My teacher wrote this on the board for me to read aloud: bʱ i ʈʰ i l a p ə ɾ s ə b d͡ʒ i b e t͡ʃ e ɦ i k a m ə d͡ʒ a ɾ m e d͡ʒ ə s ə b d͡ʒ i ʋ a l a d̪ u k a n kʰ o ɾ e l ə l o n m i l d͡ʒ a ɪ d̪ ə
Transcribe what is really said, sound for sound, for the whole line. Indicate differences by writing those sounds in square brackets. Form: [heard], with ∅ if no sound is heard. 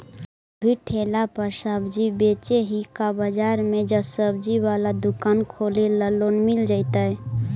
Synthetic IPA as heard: bʱ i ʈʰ [e] l a p ə ɾ s ə b d͡ʒ i b e t͡ʃ e ɦ i k a [b] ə d͡ʒ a ɾ m e d͡ʒ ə s ə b d͡ʒ i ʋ a l a d̪ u k a n kʰ o [l] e l ə l o n m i l d͡ʒ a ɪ [t̪] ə